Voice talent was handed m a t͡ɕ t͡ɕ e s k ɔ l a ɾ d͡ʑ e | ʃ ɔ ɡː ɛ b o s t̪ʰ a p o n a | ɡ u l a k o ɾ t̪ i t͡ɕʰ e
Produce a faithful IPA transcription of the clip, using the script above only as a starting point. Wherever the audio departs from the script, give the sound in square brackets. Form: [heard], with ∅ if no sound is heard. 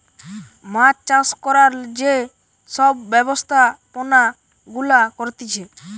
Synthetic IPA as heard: m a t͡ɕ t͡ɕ [a] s k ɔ [ɾ] a ɾ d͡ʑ e | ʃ ɔ [bː] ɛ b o s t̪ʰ a p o n a | ɡ u l a k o ɾ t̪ i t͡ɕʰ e